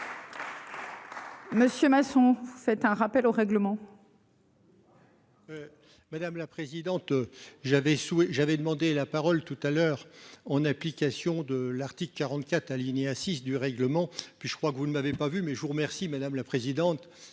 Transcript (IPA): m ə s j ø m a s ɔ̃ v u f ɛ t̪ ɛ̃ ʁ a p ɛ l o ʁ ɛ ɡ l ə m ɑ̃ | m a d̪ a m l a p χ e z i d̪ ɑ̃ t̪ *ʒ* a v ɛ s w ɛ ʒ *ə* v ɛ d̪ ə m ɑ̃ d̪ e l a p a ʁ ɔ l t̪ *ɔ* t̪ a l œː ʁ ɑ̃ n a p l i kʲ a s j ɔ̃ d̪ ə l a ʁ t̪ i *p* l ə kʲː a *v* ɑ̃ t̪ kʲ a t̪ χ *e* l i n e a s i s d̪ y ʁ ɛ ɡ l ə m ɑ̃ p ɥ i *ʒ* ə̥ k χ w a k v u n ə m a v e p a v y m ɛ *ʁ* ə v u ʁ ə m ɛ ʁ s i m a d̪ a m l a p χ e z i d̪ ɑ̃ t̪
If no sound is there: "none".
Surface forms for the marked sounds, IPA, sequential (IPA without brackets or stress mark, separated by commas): ʒ, a, u, k, ʁ, a, ʒ, ʒ